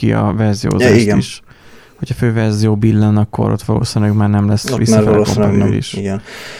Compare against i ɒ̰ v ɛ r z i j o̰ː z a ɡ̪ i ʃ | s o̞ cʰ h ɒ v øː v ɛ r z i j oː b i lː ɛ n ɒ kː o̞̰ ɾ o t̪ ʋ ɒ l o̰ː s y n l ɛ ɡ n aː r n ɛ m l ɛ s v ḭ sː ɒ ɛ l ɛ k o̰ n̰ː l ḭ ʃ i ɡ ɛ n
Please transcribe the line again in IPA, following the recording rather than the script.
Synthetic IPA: i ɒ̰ v ɛ r z i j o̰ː z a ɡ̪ i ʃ | h o̞ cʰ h ɒ f øː v ɛ r z i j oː b i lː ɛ n ɒ kː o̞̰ ɾ o t̪ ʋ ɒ l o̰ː s i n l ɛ ɡ m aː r n ɛ m l ɛ s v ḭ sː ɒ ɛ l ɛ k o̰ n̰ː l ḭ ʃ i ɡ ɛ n